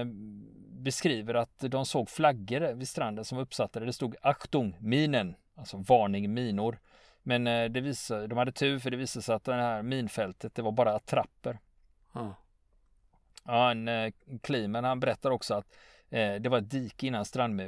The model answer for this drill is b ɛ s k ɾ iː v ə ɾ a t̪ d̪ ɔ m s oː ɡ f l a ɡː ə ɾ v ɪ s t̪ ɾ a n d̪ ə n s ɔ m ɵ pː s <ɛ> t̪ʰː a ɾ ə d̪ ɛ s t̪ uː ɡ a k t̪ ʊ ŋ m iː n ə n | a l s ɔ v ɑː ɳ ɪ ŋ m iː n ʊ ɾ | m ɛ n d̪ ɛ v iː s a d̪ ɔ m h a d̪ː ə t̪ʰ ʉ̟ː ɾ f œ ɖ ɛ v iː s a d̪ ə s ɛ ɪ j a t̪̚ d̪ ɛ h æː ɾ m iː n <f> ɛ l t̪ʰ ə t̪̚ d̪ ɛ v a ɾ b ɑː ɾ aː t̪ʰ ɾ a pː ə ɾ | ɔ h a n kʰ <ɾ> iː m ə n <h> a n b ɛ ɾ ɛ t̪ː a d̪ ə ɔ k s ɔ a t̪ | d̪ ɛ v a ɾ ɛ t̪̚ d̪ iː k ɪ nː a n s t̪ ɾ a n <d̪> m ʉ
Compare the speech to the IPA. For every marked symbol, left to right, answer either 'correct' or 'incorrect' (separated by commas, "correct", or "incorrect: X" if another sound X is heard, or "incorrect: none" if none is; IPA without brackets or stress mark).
incorrect: a, correct, incorrect: l, correct, correct